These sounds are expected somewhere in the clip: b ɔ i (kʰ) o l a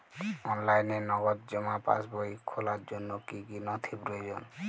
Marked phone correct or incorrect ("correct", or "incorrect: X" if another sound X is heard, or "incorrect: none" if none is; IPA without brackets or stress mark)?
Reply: correct